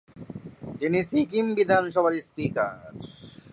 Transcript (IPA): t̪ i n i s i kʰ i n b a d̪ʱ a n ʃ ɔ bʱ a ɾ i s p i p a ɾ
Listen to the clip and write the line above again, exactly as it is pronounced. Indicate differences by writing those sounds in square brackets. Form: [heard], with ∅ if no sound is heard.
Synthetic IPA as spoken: t̪ i n i s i [k] i [m] b [i] d̪ʱ a n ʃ ɔ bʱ a ɾ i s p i [k] a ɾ